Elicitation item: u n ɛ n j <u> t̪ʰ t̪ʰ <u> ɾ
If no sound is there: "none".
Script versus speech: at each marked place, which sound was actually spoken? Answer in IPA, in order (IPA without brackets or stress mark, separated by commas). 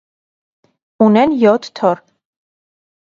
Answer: ɔ, ɔ